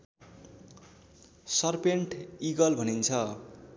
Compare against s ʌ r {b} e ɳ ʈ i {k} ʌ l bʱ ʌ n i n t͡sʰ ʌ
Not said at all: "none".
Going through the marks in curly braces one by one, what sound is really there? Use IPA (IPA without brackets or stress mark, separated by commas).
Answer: p, ɡ